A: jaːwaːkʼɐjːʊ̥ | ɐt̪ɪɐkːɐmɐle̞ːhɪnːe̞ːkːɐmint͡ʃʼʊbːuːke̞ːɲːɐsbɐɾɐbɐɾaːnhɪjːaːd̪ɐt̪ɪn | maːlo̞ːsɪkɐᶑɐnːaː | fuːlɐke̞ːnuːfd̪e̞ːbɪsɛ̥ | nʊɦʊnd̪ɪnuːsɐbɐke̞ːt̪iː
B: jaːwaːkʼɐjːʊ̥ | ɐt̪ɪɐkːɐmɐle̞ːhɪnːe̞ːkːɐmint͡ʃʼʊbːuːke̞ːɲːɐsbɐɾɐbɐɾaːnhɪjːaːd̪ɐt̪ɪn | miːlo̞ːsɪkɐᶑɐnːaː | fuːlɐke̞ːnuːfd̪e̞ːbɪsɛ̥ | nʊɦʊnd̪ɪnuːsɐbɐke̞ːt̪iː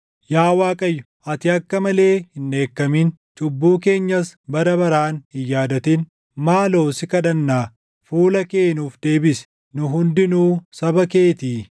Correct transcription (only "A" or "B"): A